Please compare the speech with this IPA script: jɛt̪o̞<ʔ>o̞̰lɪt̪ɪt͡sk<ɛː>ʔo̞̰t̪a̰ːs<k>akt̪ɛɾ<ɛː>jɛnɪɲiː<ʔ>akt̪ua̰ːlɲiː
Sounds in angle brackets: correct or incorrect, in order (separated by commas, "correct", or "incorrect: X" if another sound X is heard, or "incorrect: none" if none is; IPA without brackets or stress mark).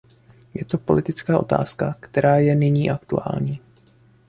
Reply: incorrect: p, incorrect: aː, correct, incorrect: aː, correct